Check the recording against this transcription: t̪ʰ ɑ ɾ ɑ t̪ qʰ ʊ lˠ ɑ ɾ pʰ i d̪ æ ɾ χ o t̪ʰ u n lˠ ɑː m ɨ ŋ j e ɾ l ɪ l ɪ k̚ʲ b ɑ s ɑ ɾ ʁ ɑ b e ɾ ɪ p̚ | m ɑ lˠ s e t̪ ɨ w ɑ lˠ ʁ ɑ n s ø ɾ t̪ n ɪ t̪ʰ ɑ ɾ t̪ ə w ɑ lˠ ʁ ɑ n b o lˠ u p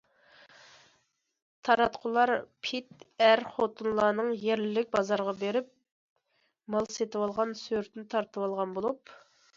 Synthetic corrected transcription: t̪ʰ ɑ ɾ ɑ t̪ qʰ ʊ lˠ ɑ ɾ pʰ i t̪ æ ɾ χ o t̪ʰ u n lˠ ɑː n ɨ ŋ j e ɾ l ɪ l ɪ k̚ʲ b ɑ z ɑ ɾ ʁ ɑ b e ɾ ɪ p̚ | m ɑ lˠ s e t̪ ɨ w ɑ lˠ ʁ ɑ n s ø ɾ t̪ n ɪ t̪ʰ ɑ ɾ t̪ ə w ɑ lˠ ʁ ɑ n b o lˠ u p

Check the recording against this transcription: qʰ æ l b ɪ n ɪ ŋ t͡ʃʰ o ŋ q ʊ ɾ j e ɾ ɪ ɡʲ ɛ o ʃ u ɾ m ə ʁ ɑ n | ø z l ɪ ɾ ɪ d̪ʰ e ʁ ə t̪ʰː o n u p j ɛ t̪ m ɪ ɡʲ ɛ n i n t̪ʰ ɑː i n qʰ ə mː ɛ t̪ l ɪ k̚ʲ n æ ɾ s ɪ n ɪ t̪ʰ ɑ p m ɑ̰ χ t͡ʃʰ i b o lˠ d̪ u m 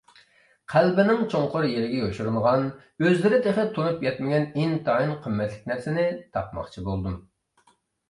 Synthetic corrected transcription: qʰ æ l b ɪ n ɪ ŋ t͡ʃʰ o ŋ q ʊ ɾ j e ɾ ɪ ɡʲ ɛ o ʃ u ɾ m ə ʁ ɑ n | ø z l ɪ ɾ ɪ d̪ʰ e χ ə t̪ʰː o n u p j ɛ t̪ m ɪ ɡʲ ɛ n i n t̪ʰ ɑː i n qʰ ə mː ɛ t̪ l ɪ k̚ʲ n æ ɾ s ɪ n ɪ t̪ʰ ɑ p m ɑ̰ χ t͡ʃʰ i b o lˠ d̪ u m

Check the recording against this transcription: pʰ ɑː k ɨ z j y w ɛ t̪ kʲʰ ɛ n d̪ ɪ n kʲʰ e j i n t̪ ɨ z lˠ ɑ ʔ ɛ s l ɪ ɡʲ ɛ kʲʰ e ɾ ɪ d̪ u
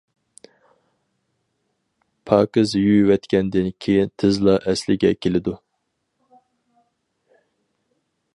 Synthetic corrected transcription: pʰ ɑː k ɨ z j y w ɛ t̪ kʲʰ ɛ n d̪ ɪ n kʲʰ e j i n t̪ʰ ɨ z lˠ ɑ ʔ ɛ s l ɪ ɡʲ ɛ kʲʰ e l ɪ d̪ u

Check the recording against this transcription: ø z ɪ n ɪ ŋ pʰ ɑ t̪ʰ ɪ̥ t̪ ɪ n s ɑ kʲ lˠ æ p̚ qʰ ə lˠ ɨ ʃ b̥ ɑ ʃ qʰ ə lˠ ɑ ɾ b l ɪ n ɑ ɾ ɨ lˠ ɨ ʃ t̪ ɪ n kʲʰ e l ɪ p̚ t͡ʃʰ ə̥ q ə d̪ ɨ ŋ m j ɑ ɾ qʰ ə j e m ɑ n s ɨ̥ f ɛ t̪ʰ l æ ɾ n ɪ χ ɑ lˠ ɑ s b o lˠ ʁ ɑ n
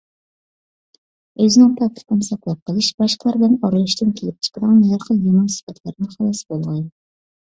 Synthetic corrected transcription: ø z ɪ n ɪ ŋ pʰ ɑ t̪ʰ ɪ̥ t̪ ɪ n s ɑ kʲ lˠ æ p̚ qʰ ə lˠ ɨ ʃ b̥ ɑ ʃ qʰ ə lˠ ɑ ɾ b l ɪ n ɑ ɾ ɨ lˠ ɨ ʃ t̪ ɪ n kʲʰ e l ɪ p̚ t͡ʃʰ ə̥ q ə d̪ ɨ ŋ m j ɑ ɾ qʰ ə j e m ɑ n s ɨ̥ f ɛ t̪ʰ l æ ɾ n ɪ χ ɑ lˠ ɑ s b o lˠ ʁ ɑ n

